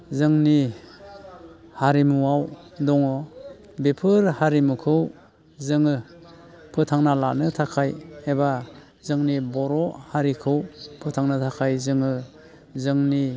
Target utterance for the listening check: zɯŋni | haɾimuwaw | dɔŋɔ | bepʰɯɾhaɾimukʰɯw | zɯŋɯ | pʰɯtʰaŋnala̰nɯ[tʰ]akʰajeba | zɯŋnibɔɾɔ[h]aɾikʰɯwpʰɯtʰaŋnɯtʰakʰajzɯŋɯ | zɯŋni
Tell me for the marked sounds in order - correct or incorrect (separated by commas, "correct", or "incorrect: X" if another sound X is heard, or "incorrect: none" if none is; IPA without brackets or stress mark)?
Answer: correct, correct